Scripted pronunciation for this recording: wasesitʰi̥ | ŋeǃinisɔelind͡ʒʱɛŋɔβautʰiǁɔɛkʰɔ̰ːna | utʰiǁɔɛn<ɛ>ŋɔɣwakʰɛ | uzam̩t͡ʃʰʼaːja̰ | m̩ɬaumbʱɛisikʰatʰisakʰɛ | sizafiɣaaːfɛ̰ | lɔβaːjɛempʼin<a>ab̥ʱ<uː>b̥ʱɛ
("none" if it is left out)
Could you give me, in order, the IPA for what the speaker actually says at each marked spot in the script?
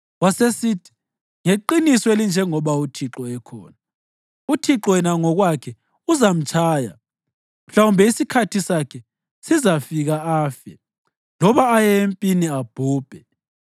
a, i, uː

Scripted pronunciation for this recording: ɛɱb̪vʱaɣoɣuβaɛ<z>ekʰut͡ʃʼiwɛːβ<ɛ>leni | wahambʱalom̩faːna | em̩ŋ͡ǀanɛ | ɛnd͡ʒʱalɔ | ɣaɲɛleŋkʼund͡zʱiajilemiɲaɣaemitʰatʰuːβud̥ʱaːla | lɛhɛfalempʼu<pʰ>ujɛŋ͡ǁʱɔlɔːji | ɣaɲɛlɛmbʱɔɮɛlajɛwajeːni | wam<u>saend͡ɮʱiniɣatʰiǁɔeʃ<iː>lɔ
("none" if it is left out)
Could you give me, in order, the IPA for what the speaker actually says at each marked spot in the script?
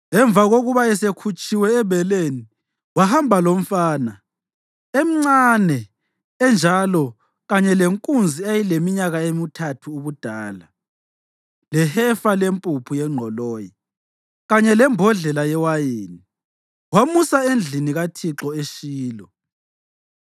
s, ɛ, pʰ, u, iː

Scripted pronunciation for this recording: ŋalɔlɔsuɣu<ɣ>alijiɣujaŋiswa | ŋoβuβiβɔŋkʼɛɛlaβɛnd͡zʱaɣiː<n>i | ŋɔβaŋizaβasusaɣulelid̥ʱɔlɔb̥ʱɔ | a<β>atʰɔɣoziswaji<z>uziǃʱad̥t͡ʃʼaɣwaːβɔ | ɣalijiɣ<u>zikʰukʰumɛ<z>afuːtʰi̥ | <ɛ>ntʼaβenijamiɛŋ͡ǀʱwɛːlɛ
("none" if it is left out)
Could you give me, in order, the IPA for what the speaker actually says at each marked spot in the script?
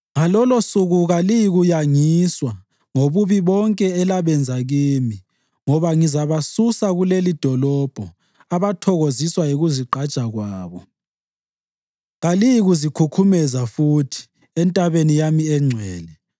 ɣ, m, β, ɣ, u, z, ɛ

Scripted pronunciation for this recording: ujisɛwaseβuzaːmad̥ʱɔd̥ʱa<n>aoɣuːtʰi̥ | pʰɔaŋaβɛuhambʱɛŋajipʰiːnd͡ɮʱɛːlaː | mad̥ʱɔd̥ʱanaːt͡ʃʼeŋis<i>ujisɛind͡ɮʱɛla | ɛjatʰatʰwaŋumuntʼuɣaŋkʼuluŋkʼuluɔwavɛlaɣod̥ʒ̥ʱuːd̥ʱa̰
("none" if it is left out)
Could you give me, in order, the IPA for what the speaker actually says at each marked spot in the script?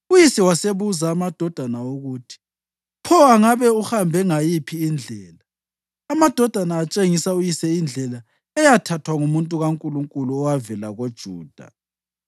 n, a

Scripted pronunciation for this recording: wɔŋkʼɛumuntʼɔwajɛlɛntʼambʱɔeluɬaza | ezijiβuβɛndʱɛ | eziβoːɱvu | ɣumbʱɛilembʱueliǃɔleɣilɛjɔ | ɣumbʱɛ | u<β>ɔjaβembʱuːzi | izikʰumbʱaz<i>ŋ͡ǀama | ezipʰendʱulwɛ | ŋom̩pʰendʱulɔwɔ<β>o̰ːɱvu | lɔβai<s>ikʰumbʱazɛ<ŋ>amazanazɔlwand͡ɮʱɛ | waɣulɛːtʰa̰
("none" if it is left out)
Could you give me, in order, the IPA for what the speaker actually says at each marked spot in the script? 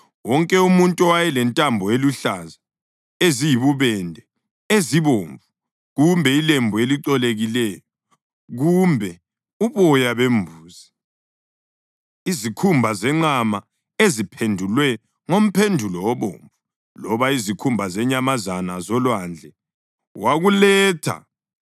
β, ɛ, β, z, ɲ

